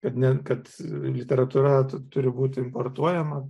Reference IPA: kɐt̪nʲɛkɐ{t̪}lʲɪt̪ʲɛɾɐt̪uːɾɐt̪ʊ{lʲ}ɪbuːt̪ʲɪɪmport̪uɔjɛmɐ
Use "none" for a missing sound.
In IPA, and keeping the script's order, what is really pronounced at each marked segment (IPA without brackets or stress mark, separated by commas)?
t̪, ɾʲ